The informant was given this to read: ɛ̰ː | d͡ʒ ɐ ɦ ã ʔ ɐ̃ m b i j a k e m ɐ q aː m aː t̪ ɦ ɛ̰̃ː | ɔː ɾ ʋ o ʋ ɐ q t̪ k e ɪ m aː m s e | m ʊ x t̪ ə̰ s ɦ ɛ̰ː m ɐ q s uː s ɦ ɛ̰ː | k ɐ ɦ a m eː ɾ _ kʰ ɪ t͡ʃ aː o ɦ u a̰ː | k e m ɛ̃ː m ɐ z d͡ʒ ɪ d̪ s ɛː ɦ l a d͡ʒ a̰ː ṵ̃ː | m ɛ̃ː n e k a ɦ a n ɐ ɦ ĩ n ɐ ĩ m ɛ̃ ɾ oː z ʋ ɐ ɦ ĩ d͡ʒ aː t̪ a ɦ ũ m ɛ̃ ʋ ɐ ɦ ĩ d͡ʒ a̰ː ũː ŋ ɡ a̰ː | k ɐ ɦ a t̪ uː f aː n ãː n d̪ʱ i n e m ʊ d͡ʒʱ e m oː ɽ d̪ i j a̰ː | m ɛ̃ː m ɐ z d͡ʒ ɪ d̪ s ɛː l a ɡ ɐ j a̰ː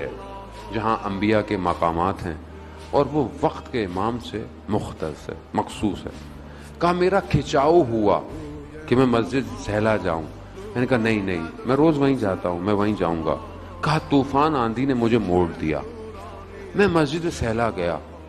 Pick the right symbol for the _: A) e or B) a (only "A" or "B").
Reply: B